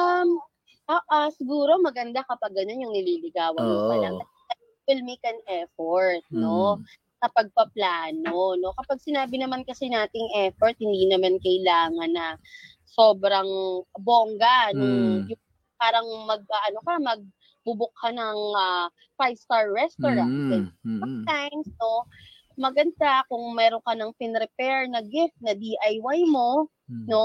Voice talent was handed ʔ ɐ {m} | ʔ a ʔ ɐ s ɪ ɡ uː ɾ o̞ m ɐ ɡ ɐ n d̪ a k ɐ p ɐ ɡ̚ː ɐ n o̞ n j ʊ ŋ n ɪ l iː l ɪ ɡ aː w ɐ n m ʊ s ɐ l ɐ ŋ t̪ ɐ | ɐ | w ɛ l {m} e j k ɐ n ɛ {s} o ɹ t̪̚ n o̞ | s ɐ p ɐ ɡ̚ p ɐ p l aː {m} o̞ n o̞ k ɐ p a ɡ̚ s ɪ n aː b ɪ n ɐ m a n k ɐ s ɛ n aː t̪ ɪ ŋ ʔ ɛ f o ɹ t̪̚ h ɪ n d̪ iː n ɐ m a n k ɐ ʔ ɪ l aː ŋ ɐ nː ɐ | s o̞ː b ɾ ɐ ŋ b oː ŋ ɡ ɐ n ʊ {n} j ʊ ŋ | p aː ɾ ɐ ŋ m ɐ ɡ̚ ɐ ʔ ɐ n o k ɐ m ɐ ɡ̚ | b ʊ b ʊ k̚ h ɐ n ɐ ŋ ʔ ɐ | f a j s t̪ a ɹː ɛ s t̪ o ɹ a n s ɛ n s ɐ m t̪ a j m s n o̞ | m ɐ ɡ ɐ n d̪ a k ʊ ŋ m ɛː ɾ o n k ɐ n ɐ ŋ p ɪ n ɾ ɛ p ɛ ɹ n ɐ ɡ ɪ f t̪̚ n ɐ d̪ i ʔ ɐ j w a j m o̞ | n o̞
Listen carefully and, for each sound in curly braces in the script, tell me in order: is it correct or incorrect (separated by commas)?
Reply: correct, correct, incorrect, incorrect, incorrect